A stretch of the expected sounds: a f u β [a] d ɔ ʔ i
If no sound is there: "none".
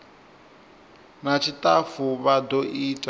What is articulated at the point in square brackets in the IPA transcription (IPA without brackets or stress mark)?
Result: a